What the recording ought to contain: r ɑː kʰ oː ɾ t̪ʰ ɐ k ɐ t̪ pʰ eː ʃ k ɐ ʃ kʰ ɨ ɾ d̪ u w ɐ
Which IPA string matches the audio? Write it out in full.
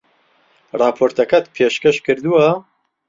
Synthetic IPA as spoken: r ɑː pʰ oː ɾ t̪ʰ ɐ k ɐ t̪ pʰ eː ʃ k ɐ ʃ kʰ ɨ ɾ d̪ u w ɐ